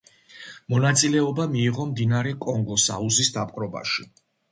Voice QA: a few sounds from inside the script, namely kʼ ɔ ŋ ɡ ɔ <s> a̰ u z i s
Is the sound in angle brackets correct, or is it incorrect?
correct